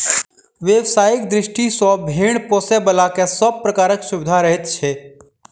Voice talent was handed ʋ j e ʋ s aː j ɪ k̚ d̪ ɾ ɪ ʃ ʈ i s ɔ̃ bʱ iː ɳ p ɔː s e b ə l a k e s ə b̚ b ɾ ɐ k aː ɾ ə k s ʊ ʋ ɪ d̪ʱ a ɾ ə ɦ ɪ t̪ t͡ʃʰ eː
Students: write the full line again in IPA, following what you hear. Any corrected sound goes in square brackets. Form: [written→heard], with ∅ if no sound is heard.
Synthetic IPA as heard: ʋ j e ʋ s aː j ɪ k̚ d̪ ɾ ɪ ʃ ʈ i s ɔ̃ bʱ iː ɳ p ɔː s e b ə l a k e s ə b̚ [b→p] ɾ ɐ k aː ɾ ə k s ʊ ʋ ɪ d̪ʱ a ɾ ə ɦ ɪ t̪ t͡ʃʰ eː